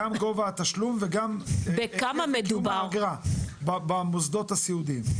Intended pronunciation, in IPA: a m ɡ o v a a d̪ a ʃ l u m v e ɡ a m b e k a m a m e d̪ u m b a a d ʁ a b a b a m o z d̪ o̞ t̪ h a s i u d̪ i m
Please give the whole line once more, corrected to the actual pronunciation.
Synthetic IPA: a m ɡ o v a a t̪ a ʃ l u m v e ɡ a m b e k a m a m e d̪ u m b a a ɡ ʁ a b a b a m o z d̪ o̞ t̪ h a s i u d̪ i m